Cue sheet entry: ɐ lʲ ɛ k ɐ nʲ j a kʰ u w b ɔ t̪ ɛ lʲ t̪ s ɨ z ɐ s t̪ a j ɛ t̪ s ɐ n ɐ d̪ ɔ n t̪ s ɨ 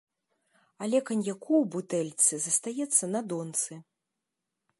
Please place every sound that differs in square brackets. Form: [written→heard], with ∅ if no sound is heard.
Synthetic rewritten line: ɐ lʲ ɛ k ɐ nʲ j a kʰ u w b [ɔ→u] t̪ ɛ lʲ t̪ s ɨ z ɐ s t̪ a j ɛ t̪ [s→sː] ɐ n ɐ d̪ ɔ n t̪ s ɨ